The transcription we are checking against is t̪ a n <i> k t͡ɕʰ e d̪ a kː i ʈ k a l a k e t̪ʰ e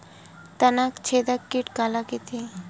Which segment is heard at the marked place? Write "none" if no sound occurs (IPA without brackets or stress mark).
a